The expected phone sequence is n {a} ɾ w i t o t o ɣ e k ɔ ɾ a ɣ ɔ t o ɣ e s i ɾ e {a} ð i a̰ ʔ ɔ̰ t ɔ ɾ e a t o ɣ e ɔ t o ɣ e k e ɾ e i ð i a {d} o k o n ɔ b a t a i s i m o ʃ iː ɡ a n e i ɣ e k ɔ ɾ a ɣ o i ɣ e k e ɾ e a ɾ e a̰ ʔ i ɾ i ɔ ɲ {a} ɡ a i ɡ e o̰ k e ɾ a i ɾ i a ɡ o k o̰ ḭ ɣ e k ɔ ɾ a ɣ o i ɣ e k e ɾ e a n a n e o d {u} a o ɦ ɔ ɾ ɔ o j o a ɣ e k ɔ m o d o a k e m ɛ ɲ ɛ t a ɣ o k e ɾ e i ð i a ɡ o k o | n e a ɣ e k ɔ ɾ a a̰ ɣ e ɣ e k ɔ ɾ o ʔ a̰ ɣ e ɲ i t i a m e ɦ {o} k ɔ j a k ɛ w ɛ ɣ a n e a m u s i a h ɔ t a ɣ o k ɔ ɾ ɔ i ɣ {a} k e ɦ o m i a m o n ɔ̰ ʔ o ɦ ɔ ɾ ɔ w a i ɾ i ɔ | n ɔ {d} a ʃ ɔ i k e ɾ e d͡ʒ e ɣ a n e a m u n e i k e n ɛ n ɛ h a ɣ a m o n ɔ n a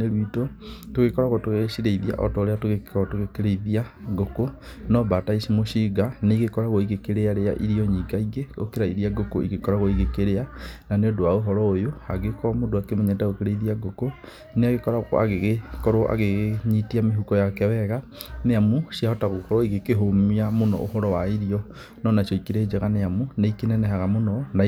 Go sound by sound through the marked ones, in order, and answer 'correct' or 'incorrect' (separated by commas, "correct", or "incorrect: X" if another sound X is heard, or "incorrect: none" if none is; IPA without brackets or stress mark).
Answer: incorrect: e, incorrect: i, incorrect: ɡ, incorrect: i, incorrect: o, incorrect: u, incorrect: e, incorrect: n